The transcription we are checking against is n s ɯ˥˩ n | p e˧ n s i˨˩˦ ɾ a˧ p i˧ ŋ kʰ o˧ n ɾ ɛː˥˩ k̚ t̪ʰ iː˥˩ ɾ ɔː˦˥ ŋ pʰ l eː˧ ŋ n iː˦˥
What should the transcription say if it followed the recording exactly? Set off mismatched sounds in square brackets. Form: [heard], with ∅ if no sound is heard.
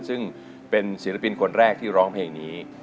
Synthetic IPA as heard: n s ɯ˥˩ [ŋ] | p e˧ n s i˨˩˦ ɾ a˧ p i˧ [n] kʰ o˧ n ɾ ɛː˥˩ k̚ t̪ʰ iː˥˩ ɾ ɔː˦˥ ŋ pʰ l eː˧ ŋ n iː˦˥